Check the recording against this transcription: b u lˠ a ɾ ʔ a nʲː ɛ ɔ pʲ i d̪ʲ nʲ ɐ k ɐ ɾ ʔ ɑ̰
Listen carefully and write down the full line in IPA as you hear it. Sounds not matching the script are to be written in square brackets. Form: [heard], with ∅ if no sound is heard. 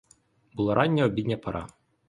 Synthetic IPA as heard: b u lˠ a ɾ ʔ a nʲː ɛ ɔ [bʲ] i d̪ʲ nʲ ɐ [p] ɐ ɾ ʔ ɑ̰